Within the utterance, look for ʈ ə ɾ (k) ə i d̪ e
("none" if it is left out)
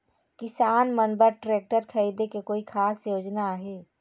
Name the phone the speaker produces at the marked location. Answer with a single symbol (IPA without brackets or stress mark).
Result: kʰ